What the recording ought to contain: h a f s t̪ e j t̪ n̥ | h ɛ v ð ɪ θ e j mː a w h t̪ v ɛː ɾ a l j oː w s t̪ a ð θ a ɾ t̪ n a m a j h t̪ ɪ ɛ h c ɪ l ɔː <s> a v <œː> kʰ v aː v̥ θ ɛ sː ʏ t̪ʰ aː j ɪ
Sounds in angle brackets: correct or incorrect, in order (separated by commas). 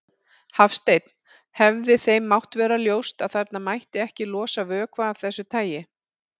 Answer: correct, correct